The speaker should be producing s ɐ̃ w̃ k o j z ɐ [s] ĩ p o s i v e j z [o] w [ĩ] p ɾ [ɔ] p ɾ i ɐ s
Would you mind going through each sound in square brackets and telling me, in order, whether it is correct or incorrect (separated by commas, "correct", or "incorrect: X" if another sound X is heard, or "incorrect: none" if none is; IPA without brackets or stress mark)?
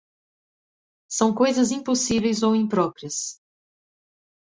incorrect: z, correct, correct, correct